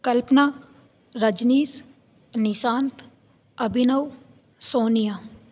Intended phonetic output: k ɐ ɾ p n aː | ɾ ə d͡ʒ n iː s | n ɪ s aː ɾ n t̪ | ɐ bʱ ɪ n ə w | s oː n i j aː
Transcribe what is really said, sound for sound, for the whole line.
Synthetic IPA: k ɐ l p n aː | ɾ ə d͡ʒ n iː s | n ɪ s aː n t̪ | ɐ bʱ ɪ n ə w | s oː n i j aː